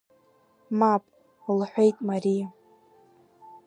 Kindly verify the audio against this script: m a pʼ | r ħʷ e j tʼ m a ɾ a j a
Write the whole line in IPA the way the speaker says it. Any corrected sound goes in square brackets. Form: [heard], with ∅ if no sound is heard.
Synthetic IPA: m a pʼ | [l] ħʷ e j tʼ m a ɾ [i] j a

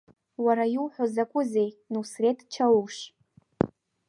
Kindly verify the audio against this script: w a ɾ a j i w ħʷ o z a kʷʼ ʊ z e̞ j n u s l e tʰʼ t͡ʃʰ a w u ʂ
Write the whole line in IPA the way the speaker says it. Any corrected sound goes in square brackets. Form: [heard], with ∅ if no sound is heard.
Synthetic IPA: w a ɾ a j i w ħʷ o z a kʷʼ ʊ z e̞ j n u s [r] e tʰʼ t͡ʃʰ a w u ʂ

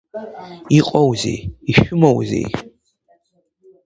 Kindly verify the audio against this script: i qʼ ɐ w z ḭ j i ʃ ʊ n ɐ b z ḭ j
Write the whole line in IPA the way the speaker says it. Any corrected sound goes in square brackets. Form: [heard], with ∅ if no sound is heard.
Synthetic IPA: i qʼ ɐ w z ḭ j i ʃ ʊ [m] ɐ [w] z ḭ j

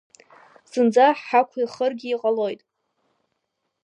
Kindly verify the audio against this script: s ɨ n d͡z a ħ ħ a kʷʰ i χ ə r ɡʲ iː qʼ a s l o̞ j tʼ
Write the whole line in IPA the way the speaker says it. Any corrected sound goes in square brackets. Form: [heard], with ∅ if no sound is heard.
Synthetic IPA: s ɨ n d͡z a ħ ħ a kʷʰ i χ ə r ɡʲ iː qʼ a [∅] l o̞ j tʼ

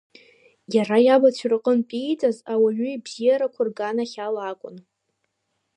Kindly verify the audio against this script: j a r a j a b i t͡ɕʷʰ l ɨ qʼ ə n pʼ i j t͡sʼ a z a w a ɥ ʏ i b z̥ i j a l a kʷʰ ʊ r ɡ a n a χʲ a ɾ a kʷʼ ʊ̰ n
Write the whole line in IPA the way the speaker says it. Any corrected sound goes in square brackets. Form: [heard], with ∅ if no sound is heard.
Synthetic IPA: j a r a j a b [a] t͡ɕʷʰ [r] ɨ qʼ ə n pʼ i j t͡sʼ a z a w a ɥ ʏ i b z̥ i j a [ɾ] a kʷʰ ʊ r ɡ a n a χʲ a [l] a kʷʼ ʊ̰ n

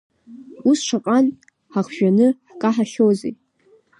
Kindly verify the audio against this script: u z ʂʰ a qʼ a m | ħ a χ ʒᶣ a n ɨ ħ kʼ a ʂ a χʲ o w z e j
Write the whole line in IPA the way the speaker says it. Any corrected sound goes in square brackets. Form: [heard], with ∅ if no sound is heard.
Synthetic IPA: u [s] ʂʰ a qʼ a [n] | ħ a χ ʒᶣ a n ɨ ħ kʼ a [ħ] a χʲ o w z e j

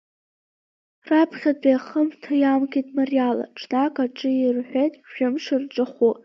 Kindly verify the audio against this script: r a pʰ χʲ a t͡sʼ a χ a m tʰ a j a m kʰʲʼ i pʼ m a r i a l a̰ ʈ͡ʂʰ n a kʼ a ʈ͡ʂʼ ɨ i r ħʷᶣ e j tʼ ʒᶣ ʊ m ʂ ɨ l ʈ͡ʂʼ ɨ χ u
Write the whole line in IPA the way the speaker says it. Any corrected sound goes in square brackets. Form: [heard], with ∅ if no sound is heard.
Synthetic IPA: r a pʰ χʲ a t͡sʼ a χ [ə] m tʰ a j a m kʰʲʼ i [tʼ] m a r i a l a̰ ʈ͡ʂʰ n a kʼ a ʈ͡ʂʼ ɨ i r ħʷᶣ e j tʼ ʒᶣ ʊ m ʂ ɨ [r] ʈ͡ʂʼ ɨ χ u

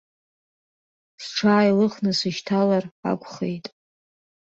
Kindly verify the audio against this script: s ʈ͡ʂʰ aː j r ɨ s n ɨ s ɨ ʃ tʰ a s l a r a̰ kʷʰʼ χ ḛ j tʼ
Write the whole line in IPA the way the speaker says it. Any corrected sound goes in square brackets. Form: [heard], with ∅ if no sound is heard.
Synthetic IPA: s ʈ͡ʂʰ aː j [l] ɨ [χ] n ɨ s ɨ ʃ tʰ a [∅] l a r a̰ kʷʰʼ χ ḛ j tʼ

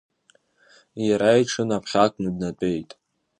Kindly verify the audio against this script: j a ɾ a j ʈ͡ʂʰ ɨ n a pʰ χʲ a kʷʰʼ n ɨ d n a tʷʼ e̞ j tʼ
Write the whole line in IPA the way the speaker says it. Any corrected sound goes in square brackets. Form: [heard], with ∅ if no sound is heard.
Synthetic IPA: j a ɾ a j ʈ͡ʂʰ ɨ n a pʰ χʲ a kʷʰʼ n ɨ d n a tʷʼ e̞ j tʼ

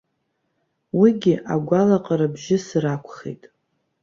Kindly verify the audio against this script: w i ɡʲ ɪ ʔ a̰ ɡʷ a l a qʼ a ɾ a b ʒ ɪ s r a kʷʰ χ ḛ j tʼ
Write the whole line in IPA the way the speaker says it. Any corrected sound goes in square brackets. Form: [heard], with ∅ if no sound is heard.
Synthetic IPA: w i ɡʲ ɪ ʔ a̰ ɡʷ a l a qʼ a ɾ a b ʒ ɪ s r a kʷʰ χ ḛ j tʼ

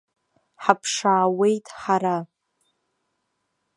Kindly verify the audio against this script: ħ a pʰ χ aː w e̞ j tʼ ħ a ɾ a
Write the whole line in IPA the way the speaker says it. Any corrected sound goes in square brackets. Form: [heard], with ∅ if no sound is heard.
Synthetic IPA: ħ a pʰ [ʂ] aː w e̞ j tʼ ħ a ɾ a

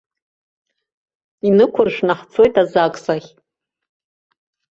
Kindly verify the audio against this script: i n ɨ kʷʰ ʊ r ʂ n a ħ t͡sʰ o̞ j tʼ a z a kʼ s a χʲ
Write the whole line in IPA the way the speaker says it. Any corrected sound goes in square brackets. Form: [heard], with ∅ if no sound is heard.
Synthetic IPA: i n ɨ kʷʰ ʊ r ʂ n a ħ t͡sʰ o̞ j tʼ a z a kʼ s a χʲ

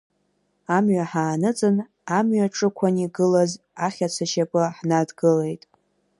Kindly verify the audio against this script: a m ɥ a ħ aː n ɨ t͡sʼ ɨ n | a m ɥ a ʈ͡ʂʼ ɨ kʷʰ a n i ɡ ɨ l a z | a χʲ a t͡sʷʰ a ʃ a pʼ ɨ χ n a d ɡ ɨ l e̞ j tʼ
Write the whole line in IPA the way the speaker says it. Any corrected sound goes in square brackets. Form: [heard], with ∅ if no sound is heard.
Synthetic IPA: a m ɥ a ħ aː n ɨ t͡sʼ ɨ n | a m ɥ a ʈ͡ʂʼ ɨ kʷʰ a n i ɡ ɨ l a z | a χʲ a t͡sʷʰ a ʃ a pʼ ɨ [ħ] n a d ɡ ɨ l e̞ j tʼ

